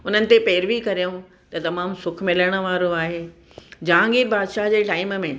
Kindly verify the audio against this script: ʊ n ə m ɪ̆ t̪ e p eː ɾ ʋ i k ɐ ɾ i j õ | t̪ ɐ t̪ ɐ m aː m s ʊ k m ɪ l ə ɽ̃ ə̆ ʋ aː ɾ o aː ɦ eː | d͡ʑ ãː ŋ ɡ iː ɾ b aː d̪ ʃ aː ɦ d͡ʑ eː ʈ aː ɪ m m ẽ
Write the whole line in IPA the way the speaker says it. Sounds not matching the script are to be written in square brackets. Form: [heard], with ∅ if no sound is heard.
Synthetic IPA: ʊ n ə [n] ɪ̆ t̪ e p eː ɾ ʋ i k ɐ ɾ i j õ | t̪ ɐ t̪ ɐ m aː m s ʊ [kʰ] m ɪ l ə ɽ̃ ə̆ ʋ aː ɾ o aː ɦ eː | d͡ʑ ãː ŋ ɡ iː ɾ b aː d̪ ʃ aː ɦ d͡ʑ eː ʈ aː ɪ m m ẽ